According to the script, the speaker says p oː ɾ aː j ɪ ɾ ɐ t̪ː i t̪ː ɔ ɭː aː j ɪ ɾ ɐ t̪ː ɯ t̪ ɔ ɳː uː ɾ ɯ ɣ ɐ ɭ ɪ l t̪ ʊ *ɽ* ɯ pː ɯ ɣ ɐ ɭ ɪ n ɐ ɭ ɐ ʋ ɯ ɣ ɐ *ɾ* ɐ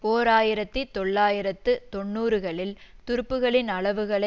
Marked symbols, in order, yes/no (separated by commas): no, no